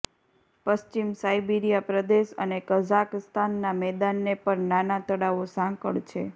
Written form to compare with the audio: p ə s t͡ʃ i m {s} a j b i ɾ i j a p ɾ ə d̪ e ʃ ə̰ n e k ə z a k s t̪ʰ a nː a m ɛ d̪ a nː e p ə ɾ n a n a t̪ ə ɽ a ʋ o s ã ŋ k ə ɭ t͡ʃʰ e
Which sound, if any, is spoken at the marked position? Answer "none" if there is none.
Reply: s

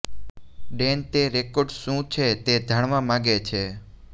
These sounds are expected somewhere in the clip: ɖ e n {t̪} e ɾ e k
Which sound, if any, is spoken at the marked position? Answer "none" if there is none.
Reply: t̪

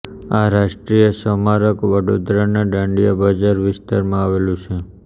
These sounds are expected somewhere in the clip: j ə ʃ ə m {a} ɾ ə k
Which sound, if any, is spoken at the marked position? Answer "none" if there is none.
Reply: a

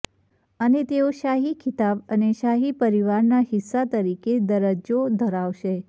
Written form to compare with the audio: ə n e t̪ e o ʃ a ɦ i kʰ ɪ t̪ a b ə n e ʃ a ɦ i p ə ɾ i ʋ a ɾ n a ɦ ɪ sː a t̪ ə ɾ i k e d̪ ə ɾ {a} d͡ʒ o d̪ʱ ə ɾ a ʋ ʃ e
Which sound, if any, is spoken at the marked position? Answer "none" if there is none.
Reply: ə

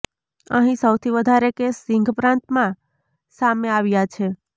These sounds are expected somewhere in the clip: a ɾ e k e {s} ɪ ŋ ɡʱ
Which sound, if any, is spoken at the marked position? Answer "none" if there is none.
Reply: s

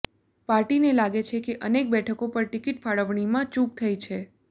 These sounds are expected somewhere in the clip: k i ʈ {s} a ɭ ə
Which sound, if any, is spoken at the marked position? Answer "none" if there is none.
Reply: f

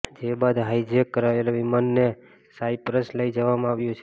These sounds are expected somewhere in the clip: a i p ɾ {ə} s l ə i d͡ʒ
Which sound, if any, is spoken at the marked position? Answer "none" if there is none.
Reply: ə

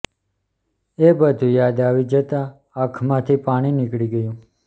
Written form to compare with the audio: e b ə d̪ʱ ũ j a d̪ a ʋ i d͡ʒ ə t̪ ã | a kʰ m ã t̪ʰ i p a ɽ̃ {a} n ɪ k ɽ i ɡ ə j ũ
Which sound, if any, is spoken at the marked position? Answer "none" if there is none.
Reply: i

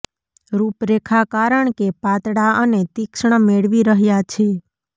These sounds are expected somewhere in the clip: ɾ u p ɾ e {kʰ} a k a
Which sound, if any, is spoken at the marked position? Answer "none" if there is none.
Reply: kʰ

